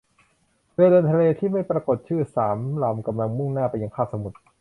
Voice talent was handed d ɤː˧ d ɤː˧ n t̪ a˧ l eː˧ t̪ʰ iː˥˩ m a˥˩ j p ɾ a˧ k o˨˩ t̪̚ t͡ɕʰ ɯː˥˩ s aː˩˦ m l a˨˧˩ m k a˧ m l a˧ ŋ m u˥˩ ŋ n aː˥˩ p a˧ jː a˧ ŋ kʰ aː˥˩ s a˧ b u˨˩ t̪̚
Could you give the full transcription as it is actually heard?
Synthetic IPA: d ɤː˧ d ɤː˧ n t̪ʰ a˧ l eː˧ t̪ʰ iː˥˩ m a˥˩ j p ɾ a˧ k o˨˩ t̪̚ t͡ɕʰ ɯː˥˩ s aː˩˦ m l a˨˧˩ m k a˧ m l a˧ ŋ m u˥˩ ŋ n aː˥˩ p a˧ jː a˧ ŋ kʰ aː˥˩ s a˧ m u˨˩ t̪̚